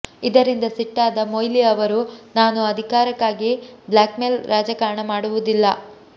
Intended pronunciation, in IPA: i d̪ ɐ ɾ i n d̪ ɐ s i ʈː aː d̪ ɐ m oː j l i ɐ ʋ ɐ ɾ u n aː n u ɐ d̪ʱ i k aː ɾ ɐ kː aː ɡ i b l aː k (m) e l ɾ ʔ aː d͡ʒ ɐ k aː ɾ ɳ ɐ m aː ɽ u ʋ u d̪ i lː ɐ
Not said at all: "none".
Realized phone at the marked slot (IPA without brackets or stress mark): m